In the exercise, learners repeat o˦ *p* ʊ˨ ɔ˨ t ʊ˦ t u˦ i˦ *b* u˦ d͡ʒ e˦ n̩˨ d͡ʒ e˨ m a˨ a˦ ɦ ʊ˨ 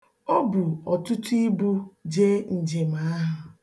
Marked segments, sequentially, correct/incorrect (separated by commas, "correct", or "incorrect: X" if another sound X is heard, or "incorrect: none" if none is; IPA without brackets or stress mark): incorrect: b, correct